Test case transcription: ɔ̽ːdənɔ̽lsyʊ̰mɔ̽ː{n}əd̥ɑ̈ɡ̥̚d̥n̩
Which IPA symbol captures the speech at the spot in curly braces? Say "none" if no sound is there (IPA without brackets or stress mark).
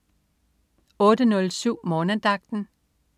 n